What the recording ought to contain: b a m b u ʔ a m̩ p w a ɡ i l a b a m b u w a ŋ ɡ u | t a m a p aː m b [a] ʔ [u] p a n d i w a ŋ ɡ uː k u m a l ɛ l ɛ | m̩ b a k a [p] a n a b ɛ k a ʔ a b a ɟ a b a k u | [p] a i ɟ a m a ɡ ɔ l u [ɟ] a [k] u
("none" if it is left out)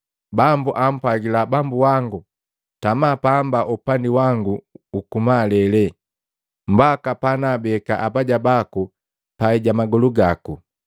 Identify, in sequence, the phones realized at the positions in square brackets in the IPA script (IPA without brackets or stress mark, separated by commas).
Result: a, u, p, p, ɡ, k